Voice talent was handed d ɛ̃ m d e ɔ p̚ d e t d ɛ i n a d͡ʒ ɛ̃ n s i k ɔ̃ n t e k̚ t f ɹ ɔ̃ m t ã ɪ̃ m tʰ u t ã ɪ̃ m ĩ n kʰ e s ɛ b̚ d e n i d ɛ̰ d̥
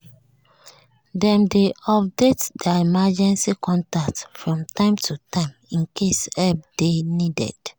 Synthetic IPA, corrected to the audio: d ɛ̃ m d e ɔ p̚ d e t d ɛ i m a d͡ʒ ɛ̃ n s i k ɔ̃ n t a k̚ t f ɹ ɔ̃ m t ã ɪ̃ m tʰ u t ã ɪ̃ m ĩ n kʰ e s ɛ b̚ d e n i d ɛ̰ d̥